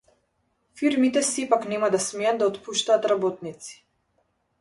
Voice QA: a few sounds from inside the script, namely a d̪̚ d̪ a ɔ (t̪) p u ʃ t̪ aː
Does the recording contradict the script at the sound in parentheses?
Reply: no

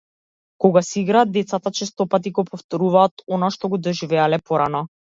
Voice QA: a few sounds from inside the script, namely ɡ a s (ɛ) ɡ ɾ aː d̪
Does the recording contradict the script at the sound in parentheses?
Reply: yes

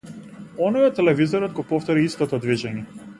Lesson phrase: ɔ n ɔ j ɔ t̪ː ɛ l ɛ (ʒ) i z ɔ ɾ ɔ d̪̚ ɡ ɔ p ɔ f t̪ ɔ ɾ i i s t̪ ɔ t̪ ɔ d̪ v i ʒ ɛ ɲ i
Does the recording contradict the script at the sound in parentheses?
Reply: yes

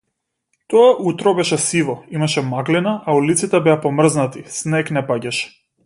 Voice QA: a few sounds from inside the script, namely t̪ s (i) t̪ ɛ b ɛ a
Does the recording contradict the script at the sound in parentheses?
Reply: no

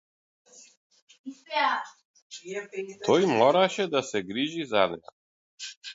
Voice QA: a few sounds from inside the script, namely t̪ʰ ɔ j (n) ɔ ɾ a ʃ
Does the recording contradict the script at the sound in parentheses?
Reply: yes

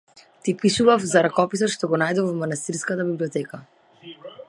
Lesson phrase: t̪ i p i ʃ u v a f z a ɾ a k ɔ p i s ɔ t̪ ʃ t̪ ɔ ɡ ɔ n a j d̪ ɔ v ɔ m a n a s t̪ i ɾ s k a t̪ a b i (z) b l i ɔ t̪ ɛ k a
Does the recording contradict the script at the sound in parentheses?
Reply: yes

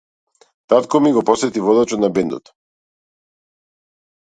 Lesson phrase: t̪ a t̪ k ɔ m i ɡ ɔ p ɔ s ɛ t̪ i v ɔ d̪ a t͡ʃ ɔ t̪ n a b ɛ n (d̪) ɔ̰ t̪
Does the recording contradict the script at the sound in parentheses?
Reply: no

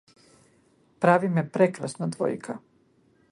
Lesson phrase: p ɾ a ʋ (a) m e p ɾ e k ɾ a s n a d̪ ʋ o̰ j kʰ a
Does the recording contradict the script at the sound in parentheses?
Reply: yes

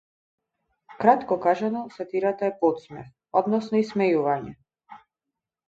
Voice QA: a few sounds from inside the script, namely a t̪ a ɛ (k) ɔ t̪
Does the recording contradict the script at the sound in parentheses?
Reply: yes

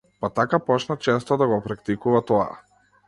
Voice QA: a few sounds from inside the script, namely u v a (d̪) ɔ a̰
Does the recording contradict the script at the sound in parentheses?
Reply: yes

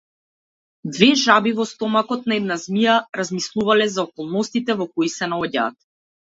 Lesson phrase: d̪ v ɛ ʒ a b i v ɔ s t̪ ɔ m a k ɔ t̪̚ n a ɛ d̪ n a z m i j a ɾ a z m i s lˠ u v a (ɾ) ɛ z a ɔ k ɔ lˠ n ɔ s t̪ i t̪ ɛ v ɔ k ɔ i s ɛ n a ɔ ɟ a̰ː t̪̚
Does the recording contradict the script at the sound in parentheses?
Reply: yes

